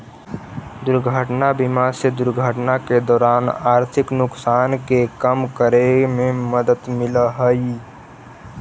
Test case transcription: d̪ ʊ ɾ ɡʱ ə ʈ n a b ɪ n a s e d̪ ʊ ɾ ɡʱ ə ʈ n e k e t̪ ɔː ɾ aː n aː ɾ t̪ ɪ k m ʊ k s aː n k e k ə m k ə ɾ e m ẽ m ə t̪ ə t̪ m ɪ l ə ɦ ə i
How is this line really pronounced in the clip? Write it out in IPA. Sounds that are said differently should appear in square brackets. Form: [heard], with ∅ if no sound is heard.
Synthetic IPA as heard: d̪ ʊ ɾ ɡʱ ə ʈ n a b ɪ [m] a s e d̪ ʊ ɾ ɡʱ ə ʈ n [a] k e [d̪] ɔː ɾ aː n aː ɾ [t̪ʰ] ɪ k [n] ʊ k s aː n k e k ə m k ə ɾ e m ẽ m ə [d̪] ə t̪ m ɪ l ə ɦ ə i